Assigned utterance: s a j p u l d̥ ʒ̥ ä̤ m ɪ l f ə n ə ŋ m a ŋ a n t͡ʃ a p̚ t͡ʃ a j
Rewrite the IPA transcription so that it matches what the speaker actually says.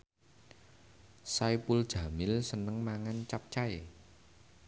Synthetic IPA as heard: s a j p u l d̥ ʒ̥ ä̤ m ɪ l s ə n ə ŋ m a ŋ a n t͡ʃ a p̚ t͡ʃ a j